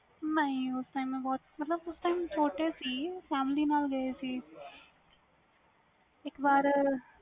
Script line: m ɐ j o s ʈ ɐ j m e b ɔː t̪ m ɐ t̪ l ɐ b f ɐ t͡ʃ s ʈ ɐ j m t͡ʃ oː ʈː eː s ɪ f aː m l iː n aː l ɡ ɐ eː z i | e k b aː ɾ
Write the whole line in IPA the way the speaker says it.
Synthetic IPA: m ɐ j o s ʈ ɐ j m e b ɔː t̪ m ɐ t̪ l ɐ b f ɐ s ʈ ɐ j m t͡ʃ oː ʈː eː s i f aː m l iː n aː l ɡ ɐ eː s i | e k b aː ɾ